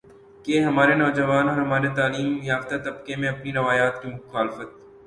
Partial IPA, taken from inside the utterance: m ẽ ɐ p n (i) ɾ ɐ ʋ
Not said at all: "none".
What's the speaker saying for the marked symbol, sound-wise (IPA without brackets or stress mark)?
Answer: i